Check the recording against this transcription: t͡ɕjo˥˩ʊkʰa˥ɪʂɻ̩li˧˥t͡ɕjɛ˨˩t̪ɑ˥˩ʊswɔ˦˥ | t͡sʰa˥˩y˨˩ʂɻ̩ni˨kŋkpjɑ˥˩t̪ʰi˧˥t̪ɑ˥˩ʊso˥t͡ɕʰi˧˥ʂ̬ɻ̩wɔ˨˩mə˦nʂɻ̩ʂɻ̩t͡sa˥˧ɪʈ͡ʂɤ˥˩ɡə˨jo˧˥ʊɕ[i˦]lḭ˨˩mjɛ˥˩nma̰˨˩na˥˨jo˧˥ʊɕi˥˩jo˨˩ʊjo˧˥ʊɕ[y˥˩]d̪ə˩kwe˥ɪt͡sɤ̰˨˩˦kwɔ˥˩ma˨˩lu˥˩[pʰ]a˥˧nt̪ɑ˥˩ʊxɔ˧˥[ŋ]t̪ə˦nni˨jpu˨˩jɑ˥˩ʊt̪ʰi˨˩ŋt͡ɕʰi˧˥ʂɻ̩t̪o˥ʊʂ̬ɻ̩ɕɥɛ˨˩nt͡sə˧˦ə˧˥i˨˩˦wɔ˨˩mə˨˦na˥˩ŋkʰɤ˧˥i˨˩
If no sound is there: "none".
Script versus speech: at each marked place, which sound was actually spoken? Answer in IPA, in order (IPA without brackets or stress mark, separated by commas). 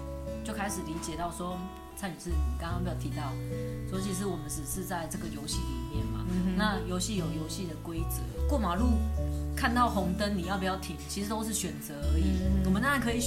i˥˩, i˥˩, kʰ, ŋ